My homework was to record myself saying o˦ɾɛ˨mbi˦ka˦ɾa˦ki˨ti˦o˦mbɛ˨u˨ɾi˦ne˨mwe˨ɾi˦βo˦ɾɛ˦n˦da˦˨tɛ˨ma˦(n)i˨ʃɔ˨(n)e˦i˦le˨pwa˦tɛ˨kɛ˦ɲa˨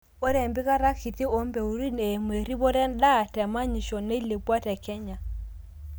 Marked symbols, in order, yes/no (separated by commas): no, yes